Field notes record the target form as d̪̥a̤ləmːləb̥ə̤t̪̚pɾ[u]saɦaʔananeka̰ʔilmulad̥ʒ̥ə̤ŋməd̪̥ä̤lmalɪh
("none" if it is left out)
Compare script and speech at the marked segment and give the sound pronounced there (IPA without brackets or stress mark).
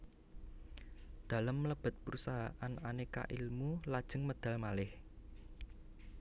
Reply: u